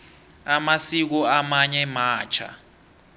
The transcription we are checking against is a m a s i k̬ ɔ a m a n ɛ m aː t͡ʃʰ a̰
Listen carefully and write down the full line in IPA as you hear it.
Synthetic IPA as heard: a m a s i k̬ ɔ a m a ɲ ɛ m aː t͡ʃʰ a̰